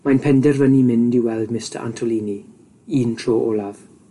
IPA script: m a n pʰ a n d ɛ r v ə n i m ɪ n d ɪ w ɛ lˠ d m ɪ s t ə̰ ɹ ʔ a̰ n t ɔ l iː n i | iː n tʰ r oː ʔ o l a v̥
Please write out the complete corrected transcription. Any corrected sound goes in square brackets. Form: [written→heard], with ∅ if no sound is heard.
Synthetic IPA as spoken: m a n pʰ [a→ɛ] n d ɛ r v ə n i m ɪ n d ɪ w ɛ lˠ d m ɪ s t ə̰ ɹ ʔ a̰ n [t→tʰ] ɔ l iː n i | iː n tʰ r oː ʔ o l a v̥